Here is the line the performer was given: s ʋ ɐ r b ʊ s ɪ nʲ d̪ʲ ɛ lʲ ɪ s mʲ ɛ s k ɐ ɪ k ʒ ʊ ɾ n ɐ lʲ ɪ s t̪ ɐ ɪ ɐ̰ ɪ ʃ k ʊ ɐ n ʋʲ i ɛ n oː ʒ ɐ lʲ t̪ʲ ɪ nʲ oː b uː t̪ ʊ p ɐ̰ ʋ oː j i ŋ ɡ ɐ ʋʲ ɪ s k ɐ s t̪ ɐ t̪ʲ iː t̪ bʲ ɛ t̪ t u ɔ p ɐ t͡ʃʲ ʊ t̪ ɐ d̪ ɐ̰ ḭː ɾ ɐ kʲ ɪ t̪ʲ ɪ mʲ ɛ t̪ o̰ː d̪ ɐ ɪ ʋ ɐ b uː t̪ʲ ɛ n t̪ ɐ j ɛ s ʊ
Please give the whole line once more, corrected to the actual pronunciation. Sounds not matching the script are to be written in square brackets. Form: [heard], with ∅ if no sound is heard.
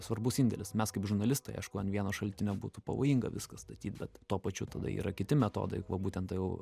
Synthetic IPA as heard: s ʋ ɐ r b ʊ s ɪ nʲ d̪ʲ ɛ lʲ ɪ s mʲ ɛ s k ɐ ɪ [p] ʒ ʊ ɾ n ɐ lʲ ɪ s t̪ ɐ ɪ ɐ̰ ɪ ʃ k ʊ ɐ n ʋʲ i ɛ n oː [ʃ] ɐ lʲ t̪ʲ ɪ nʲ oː b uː t̪ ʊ p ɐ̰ ʋ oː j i ŋ ɡ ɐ ʋʲ ɪ s k ɐ s t̪ ɐ t̪ʲ iː t̪ bʲ ɛ t̪ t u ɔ p ɐ t͡ʃʲ ʊ t̪ ɐ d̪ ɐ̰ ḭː ɾ ɐ kʲ ɪ t̪ʲ ɪ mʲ ɛ t̪ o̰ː d̪ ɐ ɪ ʋ ɐ b uː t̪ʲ ɛ n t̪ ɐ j ɛ [∅] ʊ